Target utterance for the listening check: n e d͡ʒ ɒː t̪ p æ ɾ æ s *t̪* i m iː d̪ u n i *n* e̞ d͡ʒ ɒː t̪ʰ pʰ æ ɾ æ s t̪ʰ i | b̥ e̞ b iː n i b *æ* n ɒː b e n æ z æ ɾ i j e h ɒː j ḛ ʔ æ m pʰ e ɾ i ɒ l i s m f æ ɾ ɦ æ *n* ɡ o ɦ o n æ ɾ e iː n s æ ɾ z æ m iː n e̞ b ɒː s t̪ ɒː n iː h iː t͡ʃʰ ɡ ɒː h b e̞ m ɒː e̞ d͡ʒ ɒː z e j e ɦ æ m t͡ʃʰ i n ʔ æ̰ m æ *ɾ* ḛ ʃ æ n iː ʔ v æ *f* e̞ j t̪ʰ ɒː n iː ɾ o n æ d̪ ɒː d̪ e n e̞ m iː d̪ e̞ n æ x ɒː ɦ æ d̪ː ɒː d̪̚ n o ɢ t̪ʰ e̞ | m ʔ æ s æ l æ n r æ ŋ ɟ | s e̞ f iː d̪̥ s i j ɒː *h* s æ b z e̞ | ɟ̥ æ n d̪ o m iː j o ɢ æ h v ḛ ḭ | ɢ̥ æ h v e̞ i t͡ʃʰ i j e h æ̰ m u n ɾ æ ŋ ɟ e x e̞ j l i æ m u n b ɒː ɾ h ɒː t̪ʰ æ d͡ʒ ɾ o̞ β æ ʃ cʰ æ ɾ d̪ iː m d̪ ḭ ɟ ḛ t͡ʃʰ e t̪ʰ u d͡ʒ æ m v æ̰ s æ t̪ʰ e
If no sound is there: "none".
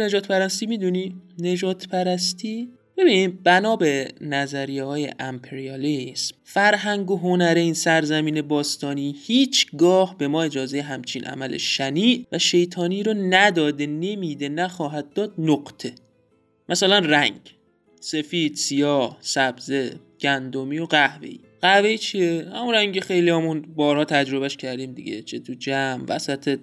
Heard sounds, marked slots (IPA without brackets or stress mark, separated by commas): t̪, n, æ, ŋ, l, ʃ, h